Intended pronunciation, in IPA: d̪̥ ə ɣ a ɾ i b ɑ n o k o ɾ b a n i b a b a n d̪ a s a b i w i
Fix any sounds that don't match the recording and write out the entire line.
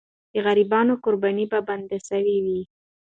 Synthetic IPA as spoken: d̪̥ ə ɣ a ɾ i b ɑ n o k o ɾ b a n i b a b a n d̪ a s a w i w i

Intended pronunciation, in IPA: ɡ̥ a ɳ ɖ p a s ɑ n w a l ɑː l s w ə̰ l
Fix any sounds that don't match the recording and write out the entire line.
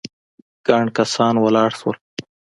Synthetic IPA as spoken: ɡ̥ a ɳ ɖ k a s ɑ n w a l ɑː ɽ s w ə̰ l

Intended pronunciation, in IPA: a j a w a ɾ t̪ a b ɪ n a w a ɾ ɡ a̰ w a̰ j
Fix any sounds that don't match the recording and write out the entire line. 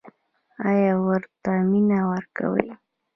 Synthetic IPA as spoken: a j a w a ɾ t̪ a m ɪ n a w a ɾ k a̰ w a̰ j

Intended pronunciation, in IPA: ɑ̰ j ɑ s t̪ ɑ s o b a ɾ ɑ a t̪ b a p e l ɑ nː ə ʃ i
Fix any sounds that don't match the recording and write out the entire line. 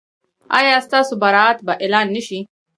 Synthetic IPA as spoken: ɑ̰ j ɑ s t̪ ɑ s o b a ɾ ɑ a t̪ b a ʔ e l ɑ nː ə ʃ i

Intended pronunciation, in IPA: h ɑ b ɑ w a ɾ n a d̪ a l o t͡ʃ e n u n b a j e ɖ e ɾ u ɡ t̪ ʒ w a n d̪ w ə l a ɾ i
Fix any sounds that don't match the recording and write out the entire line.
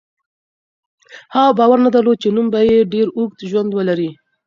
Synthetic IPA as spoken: h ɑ b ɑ w a ɾ n a d̪ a l o t͡ʃ e n u m b a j e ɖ e ɾ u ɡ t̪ ʒ w a n d̪ w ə l a ɾ i

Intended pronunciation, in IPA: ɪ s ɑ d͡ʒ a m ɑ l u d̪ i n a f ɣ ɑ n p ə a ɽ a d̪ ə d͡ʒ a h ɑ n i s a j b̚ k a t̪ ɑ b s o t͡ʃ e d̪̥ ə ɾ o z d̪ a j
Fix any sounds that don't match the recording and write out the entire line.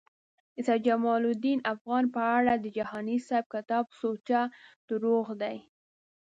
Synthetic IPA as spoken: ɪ s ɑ d͡ʒ a m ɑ l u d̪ i n a f ɣ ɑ n p ə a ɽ a d̪ ə d͡ʒ a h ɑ n i s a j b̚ k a t̪ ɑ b s o t͡ʃ a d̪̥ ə ɾ o ɣ d̪ a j

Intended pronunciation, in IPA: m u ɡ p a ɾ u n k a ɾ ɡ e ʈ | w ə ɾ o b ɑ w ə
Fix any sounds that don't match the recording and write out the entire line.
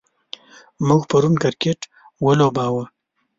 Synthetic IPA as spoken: m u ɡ p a ɾ u n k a ɾ k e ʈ | w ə l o b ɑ w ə

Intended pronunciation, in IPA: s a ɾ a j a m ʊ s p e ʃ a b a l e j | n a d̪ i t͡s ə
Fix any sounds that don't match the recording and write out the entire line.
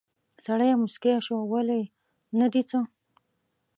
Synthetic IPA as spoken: s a ɽ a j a m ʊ s k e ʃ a w a l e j | n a d̪ i t͡s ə

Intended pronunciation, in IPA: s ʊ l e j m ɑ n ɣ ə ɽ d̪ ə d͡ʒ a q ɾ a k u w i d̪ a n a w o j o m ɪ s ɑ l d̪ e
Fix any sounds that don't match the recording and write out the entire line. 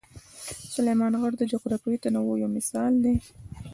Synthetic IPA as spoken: s ʊ l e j m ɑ n ɣ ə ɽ d̪ ə d͡ʒ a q ɾ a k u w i t̪ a n a w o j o m ɪ s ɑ l d̪ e

